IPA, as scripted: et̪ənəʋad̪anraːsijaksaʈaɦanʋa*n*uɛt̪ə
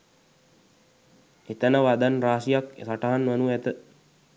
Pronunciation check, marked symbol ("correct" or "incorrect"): correct